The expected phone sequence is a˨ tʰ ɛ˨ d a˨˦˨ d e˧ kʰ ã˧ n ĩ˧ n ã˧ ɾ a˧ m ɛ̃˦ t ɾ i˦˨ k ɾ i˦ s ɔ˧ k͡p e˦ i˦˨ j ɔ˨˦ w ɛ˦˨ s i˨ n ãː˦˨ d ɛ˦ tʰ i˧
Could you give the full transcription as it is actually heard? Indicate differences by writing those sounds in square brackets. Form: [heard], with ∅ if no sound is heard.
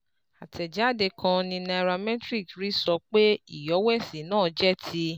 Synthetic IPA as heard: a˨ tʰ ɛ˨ [d͡ʒ] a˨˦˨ d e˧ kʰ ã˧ n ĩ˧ n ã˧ ɾ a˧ m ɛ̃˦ t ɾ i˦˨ k ɾ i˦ s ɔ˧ k͡p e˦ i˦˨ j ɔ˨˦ w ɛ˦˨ s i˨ n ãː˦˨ [d͡ʒ] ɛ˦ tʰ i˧